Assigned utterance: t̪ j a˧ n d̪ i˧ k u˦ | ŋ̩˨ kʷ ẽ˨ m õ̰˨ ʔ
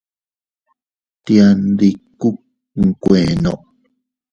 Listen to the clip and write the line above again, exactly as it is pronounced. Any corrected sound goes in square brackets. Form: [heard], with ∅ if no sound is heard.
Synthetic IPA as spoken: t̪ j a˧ n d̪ i˧ k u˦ | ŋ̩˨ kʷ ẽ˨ [n] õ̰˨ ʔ